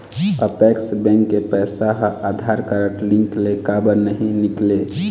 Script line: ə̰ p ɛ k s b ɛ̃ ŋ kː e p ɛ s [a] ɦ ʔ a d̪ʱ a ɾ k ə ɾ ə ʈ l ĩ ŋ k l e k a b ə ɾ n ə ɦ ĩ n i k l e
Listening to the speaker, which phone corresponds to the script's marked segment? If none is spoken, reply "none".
a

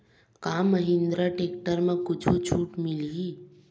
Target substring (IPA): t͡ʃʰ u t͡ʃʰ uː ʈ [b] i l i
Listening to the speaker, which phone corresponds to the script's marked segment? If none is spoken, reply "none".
m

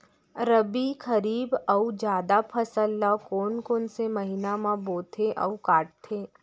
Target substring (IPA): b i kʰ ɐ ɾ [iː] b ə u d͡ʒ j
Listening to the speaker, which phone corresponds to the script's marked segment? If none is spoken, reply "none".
iː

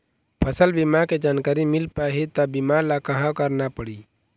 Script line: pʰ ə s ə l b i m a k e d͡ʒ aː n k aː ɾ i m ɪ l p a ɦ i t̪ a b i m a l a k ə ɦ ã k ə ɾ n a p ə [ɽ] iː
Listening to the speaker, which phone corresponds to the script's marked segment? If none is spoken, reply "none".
ɽ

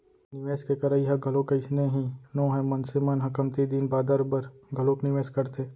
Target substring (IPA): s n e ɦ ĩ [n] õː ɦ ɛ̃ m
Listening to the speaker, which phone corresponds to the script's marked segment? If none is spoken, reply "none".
n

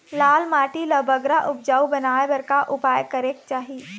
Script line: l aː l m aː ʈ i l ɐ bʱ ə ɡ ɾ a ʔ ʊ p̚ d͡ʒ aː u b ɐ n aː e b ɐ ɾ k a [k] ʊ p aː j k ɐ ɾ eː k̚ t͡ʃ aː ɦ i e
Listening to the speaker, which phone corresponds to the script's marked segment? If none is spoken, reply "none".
ʔ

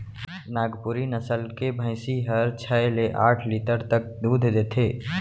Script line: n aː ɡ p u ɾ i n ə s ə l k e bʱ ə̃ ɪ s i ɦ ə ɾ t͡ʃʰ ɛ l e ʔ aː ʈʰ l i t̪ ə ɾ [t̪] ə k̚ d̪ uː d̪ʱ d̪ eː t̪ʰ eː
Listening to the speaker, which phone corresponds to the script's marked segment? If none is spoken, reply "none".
t̪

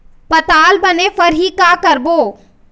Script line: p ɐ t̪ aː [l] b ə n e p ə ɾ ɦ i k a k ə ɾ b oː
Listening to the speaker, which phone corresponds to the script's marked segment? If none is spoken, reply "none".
l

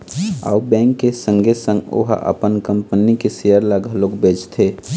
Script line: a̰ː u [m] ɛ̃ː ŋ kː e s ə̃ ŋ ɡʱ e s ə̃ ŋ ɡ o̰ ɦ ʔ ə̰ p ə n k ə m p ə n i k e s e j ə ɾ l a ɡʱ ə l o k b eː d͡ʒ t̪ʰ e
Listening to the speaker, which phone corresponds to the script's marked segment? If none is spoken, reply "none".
b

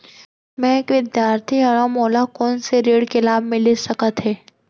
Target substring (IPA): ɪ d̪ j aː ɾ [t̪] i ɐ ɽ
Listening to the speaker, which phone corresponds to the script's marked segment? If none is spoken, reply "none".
t̪ʰ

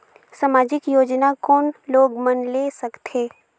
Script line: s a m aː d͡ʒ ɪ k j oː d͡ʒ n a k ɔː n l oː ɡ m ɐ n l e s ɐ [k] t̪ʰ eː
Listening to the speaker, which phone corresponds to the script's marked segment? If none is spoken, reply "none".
k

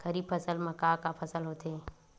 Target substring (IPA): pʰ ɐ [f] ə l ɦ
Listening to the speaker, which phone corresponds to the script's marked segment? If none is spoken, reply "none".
s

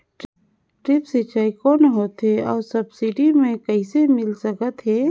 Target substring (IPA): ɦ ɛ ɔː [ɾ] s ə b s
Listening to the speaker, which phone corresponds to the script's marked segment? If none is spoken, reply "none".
ɾ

